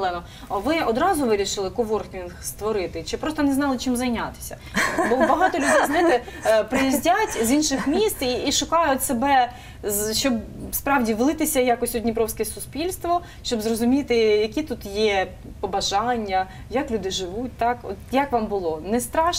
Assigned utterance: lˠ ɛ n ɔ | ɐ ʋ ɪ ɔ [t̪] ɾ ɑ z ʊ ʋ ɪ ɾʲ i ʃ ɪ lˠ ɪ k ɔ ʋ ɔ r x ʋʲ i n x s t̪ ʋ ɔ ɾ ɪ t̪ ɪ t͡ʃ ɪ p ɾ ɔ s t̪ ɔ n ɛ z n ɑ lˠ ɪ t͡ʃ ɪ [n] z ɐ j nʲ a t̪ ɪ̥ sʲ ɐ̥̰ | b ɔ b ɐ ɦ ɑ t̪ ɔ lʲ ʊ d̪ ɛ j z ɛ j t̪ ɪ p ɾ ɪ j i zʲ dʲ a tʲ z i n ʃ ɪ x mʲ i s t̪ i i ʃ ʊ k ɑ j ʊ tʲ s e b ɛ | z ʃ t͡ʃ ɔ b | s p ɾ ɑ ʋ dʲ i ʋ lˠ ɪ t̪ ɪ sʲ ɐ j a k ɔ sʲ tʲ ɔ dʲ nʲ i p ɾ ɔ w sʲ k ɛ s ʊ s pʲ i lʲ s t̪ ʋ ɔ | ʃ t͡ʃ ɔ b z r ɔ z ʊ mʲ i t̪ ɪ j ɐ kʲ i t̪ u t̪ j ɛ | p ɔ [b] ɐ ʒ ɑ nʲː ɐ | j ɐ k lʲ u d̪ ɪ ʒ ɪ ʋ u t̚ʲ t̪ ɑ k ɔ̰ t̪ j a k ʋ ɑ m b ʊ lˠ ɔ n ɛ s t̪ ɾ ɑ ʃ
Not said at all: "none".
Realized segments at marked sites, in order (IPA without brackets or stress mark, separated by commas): d̪, m, b